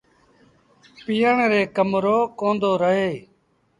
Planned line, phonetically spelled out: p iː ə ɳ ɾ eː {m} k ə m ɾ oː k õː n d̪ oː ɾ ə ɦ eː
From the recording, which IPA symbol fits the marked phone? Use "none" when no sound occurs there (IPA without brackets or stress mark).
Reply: none